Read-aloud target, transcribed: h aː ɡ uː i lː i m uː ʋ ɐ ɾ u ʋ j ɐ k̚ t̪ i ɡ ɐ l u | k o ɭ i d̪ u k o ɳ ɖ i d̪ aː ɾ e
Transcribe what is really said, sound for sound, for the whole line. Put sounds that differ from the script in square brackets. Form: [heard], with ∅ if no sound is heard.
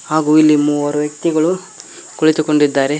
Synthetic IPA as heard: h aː ɡ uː i lː i m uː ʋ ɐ ɾ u ʋ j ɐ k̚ t̪ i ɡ ɐ [ɭ] u | k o ɭ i [t̪] u k o ɳ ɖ i [d̪ː] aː ɾ e